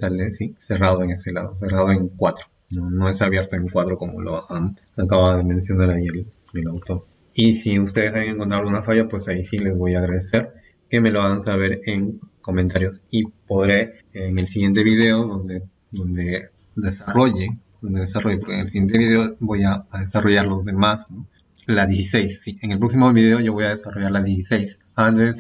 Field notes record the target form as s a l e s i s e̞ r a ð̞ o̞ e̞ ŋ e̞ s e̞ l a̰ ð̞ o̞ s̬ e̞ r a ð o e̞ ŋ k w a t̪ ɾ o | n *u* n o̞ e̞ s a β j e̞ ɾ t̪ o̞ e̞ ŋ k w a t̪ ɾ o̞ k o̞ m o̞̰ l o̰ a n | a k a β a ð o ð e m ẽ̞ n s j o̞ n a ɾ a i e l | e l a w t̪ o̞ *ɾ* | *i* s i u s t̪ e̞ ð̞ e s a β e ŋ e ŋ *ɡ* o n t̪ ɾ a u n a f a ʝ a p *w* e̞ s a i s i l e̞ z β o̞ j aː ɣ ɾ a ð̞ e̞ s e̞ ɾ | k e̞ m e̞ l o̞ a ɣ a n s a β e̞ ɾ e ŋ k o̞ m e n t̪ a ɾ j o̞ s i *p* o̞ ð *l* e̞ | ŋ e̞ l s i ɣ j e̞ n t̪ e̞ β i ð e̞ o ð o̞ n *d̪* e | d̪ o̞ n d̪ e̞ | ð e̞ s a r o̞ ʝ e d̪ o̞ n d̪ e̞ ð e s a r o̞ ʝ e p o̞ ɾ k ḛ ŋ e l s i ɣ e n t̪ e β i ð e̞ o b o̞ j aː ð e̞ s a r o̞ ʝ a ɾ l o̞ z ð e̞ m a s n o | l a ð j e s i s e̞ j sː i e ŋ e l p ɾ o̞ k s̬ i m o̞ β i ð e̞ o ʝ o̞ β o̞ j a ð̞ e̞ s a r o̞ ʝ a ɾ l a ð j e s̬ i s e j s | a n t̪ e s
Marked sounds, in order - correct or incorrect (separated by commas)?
incorrect, correct, correct, incorrect, correct, correct, incorrect, correct